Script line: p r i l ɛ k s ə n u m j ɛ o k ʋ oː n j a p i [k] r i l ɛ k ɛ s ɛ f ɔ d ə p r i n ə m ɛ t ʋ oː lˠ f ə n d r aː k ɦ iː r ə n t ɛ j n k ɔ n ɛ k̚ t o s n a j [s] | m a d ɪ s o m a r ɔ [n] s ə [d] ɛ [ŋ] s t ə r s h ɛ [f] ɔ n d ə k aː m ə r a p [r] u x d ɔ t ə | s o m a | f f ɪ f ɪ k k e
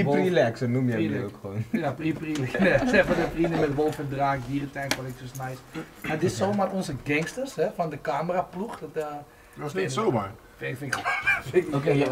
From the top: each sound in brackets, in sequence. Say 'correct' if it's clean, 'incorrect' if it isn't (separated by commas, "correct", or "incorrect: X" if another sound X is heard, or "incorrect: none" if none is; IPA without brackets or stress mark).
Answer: incorrect: p, correct, correct, incorrect: ɡ, correct, correct, incorrect: l